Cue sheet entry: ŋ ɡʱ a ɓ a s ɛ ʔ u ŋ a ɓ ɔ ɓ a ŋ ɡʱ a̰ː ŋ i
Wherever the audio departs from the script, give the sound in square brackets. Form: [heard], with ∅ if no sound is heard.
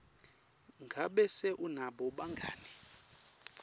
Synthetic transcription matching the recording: ŋ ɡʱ a ɓ [ɛ] s ɛ ʔ u [n] a ɓ ɔ ɓ a ŋ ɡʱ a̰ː [n] i